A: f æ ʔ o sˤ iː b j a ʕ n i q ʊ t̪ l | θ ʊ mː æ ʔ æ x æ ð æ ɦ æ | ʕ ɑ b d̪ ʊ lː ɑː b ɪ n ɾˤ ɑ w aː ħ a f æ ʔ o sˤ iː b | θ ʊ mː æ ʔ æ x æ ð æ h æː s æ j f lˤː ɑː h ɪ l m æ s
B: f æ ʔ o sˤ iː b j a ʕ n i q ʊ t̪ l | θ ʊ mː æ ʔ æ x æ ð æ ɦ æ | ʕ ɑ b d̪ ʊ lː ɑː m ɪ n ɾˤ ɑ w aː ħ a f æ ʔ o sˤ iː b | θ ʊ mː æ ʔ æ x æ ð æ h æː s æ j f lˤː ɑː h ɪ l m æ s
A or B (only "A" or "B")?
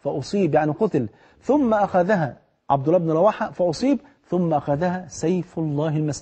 A